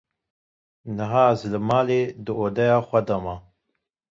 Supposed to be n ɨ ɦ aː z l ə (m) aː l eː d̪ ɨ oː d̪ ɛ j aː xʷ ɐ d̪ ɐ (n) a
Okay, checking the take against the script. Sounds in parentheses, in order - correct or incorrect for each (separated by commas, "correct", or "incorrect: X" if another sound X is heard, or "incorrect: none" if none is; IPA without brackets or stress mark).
correct, incorrect: m